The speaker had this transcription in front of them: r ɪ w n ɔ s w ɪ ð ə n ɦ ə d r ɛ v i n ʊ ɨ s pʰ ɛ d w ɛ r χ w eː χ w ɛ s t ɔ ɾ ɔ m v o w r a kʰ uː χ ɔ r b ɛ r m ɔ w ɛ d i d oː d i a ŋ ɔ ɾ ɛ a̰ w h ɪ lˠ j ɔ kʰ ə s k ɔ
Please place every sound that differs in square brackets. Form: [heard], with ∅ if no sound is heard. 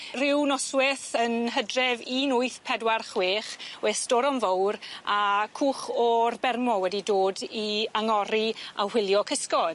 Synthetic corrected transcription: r ɪ w n ɔ s w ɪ [θ] ə n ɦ ə d r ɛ v i n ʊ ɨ [θ] pʰ ɛ d w [a] r χ w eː χ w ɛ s t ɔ ɾ ɔ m v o w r a kʰ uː χ ɔ r b ɛ r m ɔ w ɛ d i d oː d i a ŋ ɔ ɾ [i] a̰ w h ɪ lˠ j ɔ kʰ ə s k ɔ